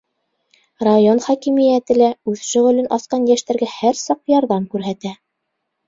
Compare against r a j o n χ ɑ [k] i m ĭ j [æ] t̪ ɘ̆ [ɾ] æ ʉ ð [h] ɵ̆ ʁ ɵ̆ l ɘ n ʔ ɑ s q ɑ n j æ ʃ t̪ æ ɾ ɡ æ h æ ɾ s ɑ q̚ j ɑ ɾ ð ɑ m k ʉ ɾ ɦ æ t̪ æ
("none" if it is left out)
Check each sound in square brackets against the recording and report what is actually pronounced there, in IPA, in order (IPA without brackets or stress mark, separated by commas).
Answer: k, æ, l, ʃ